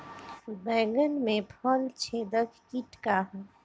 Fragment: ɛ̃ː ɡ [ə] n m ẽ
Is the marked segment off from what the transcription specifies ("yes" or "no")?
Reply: no